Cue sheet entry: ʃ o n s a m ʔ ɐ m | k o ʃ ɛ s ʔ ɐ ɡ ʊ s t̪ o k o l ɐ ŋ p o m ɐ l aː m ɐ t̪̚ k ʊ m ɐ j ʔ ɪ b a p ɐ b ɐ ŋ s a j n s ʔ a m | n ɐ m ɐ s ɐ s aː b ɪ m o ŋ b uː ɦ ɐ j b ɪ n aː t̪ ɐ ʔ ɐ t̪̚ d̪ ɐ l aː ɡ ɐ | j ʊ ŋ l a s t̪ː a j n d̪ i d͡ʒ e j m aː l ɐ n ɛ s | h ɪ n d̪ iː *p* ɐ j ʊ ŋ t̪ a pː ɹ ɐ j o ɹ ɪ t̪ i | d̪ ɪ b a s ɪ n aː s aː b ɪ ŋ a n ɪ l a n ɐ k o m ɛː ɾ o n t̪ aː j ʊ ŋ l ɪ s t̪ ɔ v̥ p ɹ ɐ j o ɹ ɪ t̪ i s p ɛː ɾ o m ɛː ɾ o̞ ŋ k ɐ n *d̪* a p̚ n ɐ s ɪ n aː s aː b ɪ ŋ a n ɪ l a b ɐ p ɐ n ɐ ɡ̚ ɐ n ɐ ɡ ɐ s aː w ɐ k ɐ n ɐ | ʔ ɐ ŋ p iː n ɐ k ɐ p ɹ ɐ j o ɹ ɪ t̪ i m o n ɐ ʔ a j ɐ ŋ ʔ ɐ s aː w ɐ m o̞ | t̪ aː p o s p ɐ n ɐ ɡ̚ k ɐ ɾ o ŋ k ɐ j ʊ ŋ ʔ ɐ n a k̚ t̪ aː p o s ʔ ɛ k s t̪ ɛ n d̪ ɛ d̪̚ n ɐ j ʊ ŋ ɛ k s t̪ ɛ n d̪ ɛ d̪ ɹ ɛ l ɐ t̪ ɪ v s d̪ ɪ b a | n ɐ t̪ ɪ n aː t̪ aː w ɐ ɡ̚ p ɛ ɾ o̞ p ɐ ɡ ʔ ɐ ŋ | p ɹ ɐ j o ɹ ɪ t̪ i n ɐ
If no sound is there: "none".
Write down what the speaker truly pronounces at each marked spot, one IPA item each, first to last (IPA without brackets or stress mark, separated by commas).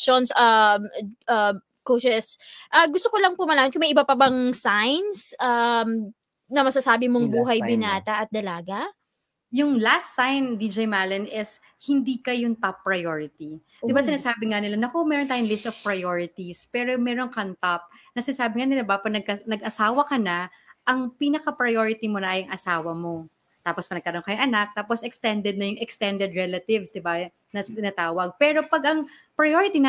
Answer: k, t̪